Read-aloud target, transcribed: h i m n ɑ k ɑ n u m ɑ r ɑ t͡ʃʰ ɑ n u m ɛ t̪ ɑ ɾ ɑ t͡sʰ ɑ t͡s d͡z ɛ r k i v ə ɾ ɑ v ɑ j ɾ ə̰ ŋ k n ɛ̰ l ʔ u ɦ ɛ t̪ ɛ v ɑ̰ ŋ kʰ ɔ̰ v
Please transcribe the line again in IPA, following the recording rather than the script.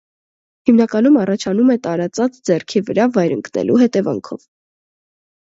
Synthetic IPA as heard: h i m n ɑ k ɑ n u m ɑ r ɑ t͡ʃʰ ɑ n u m ɛ t̪ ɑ ɾ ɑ t͡s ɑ t͡s d͡z ɛ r kʰ i v ə ɾ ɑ v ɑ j ɾ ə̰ ŋ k n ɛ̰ l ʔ u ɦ ɛ t̪ ɛ v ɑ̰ ŋ kʰ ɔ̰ v